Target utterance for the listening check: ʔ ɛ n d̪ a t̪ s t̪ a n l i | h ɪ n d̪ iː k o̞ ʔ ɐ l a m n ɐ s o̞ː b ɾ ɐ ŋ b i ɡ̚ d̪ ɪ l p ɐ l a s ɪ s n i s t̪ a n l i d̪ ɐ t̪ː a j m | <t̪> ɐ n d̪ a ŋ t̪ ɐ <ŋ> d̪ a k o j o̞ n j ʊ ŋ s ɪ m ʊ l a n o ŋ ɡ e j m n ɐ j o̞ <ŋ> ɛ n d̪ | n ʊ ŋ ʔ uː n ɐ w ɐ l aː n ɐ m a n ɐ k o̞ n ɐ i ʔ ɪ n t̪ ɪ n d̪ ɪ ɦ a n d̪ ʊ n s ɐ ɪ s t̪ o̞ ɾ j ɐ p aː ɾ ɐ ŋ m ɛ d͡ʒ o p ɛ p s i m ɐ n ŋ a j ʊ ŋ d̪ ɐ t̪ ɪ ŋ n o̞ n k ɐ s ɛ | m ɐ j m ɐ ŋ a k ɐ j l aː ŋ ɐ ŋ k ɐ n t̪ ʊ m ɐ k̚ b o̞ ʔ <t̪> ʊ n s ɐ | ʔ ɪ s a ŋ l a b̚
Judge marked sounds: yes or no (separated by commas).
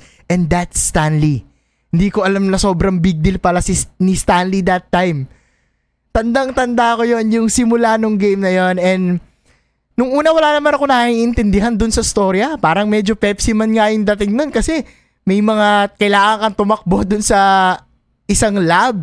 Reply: yes, no, no, no